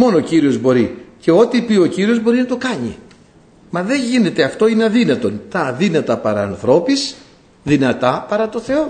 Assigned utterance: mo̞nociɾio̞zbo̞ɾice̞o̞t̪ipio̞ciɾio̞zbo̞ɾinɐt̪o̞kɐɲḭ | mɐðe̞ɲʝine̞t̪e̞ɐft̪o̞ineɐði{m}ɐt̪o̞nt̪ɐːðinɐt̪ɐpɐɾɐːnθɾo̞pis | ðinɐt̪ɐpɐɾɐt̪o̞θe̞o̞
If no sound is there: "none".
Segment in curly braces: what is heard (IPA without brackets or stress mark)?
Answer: n